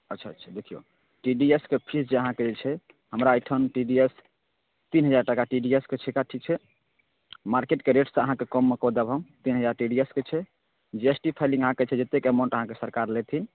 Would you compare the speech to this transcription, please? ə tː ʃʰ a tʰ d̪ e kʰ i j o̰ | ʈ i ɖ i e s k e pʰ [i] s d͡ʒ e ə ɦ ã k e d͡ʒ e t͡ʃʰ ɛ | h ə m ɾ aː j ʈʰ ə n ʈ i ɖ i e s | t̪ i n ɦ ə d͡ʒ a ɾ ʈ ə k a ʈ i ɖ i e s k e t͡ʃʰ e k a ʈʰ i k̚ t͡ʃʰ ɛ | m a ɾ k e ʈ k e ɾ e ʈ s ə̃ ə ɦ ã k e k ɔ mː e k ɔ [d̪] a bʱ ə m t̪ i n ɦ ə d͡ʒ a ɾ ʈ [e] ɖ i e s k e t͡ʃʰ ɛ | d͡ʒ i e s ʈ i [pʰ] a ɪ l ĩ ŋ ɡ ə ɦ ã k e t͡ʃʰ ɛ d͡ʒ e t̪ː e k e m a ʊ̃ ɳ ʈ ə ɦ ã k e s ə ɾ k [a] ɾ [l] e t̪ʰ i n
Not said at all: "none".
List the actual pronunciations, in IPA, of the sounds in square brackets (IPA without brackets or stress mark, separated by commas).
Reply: i, d̪, i, pʰ, a, l